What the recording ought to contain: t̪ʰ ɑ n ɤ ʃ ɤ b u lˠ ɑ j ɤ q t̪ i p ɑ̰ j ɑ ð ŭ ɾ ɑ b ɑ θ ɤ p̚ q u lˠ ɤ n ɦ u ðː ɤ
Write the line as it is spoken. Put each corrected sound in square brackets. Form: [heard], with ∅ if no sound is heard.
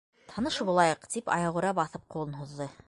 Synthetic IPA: t̪ʰ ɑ n ɤ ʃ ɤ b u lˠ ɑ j ɤ q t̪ i p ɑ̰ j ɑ [ʁ] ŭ ɾ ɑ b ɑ θ ɤ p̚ q u lˠ ɤ n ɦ u ðː ɤ